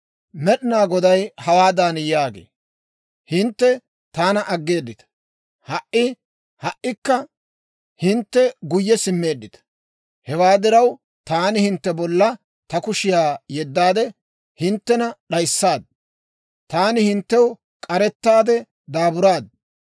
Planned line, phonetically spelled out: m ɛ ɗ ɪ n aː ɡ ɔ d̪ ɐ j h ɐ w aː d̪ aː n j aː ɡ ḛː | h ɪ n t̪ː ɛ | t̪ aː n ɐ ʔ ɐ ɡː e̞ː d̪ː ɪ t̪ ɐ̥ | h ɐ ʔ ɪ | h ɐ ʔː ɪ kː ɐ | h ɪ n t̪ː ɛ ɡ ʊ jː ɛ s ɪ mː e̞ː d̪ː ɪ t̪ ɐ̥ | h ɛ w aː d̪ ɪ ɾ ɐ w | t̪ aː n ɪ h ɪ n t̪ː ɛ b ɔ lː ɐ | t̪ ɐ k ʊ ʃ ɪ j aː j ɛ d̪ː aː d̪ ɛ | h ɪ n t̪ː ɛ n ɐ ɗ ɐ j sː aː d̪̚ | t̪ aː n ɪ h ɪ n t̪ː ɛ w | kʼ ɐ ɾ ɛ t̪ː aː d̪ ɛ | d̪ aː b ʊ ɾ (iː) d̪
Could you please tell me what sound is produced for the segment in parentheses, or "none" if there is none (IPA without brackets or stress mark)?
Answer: aː